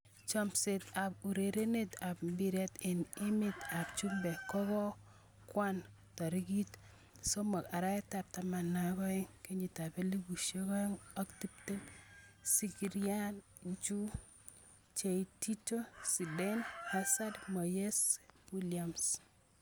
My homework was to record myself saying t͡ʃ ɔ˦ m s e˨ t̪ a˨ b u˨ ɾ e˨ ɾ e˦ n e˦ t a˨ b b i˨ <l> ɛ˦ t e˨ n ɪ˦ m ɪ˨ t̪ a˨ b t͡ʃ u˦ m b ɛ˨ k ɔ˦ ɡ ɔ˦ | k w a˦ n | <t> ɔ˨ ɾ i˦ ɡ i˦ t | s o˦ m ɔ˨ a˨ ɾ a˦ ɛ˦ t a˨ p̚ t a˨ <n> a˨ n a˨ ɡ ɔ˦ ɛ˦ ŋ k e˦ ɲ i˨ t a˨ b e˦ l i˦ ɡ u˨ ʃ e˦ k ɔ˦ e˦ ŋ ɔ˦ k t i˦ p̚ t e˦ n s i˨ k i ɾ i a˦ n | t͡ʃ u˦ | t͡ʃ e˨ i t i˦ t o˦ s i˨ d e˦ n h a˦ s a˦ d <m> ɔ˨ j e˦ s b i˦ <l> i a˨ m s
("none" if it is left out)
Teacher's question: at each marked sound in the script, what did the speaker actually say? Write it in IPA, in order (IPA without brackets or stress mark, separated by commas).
ɾ, t, m, m, l